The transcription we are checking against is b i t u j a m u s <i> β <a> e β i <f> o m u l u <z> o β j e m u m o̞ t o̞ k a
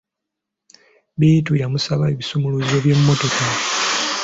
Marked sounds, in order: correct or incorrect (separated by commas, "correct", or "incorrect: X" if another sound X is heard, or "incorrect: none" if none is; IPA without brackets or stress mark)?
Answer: incorrect: a, correct, incorrect: s, correct